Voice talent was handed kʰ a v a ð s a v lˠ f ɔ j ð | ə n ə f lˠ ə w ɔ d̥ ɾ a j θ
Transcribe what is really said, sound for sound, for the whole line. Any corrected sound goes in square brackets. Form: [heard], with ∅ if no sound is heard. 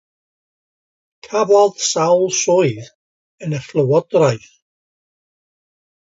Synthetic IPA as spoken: kʰ a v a ð s a [w] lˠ [s] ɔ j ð | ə n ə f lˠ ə w ɔ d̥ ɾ a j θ